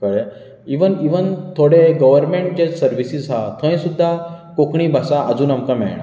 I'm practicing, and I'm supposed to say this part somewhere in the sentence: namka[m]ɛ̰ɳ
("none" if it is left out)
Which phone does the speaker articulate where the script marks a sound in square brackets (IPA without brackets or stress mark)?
m